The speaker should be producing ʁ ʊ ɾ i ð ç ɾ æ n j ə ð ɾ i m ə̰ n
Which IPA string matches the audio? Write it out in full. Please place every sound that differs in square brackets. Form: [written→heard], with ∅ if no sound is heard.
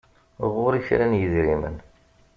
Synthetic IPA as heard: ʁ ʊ ɾ i [ð→∅] ç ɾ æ n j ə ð ɾ i m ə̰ n